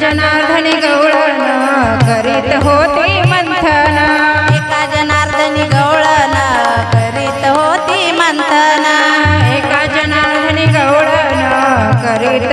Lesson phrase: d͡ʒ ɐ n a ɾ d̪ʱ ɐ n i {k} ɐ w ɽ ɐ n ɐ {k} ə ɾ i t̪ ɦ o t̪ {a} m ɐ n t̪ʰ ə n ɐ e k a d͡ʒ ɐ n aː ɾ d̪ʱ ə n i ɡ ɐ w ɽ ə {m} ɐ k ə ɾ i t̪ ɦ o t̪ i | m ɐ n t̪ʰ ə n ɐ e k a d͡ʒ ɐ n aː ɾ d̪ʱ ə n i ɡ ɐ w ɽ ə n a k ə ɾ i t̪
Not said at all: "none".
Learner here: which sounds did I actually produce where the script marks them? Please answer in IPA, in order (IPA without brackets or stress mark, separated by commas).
ɡ, k, i, n